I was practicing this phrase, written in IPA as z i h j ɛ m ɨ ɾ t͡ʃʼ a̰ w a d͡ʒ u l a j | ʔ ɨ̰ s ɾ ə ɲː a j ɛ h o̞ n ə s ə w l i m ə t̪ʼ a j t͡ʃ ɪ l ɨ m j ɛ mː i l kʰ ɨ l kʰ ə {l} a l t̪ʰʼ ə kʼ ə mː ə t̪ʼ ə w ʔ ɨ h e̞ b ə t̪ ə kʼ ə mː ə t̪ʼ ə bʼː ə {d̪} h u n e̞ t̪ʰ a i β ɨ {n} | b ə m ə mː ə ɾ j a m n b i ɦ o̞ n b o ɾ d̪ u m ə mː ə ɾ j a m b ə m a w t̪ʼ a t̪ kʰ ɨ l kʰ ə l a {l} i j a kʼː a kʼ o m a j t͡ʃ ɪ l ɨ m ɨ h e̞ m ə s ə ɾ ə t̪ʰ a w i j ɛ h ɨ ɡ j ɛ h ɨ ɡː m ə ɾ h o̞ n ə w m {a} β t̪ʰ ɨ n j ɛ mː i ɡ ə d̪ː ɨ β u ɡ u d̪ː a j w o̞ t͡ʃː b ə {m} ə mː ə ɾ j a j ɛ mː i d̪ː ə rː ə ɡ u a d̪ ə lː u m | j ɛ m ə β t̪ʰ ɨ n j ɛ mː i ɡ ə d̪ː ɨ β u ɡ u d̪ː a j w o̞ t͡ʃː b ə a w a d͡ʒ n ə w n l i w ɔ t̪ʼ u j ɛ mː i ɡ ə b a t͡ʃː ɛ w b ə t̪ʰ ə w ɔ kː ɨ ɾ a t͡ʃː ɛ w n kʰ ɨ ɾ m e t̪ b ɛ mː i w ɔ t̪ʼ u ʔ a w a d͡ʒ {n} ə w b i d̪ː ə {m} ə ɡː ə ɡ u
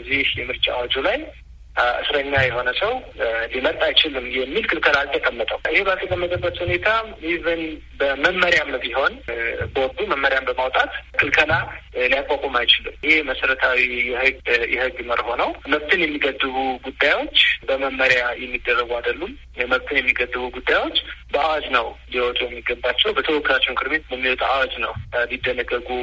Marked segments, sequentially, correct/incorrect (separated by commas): correct, incorrect, correct, correct, incorrect, correct, correct, incorrect